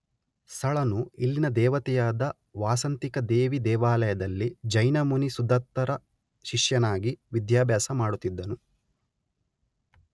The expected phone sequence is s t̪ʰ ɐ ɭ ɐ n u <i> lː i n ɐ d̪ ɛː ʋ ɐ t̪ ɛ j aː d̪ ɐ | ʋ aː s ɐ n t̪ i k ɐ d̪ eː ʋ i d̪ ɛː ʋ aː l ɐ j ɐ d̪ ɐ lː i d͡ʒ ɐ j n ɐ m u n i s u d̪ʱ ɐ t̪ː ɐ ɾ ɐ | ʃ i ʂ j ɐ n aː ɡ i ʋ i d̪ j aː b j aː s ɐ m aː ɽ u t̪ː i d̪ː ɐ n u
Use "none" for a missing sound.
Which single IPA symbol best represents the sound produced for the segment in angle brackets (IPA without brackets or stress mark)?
i